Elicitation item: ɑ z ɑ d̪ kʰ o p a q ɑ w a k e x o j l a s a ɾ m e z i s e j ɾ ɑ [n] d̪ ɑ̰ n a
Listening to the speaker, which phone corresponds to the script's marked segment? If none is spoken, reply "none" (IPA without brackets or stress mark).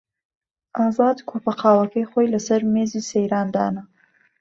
n